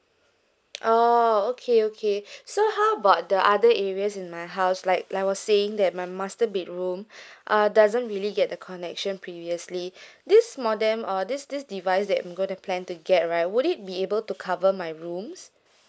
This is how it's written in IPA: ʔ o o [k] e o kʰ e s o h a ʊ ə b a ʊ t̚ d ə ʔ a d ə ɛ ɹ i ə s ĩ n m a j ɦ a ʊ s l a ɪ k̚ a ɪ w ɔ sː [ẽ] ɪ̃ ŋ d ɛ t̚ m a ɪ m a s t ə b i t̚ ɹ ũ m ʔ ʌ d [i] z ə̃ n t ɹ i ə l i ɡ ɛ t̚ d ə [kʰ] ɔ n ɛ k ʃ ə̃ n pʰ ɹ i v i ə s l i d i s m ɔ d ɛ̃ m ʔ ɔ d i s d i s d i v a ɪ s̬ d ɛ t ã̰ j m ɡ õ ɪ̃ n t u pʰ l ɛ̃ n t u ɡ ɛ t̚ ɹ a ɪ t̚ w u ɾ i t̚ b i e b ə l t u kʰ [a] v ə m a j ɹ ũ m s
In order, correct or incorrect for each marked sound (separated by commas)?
incorrect, incorrect, incorrect, correct, correct